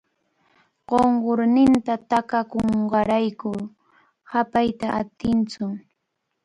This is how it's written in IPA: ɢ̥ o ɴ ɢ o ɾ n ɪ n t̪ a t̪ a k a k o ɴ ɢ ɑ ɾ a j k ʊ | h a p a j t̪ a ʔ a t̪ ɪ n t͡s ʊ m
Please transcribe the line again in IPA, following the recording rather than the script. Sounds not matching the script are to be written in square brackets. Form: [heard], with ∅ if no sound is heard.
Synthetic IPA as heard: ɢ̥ o ɴ ɢ o ɾ n ɪ n t̪ a t̪ a k a k o ɴ ɢ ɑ ɾ a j k ʊ | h a p a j t̪ a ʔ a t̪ ɪ n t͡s ʊ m